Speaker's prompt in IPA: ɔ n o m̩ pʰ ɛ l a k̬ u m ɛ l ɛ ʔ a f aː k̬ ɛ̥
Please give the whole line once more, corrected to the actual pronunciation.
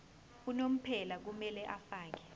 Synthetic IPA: u n o m̩ pʰ ɛ l a k̬ u m ɛ l ɛ ʔ a f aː k̬ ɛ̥